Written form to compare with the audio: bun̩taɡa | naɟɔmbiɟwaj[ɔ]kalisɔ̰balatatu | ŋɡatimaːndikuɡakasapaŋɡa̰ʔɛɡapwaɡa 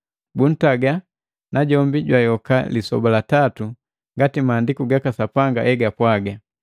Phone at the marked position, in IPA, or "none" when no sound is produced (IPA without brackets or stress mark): ɔ